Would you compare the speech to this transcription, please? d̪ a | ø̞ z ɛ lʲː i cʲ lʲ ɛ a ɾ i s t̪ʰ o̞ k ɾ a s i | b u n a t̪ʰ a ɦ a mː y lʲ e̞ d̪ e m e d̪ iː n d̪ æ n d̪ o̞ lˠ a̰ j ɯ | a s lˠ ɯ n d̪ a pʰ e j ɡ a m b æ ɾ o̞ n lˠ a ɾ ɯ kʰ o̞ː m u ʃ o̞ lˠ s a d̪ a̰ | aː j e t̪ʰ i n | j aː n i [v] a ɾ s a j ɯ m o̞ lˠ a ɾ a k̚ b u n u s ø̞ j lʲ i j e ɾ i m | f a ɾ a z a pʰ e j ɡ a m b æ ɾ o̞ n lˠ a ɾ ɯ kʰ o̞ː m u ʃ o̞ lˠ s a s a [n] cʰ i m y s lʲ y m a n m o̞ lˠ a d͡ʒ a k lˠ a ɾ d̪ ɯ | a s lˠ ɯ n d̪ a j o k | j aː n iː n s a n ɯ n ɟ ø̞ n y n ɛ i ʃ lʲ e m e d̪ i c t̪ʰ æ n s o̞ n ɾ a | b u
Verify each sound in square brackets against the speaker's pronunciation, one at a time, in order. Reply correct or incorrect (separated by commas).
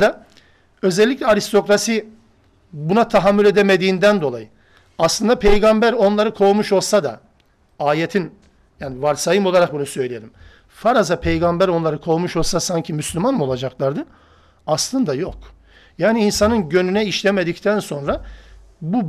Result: correct, incorrect